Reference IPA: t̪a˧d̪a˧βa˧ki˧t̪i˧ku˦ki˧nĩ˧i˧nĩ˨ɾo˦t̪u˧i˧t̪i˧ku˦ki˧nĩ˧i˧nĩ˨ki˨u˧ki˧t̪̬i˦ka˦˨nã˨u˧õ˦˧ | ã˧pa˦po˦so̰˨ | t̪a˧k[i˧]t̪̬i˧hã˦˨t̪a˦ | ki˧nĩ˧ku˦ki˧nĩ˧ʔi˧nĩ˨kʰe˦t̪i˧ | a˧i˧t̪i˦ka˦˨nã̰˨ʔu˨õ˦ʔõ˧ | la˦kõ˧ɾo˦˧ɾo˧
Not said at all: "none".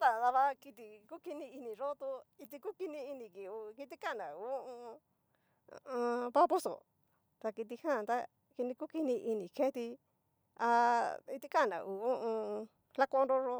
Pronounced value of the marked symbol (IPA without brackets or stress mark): i˧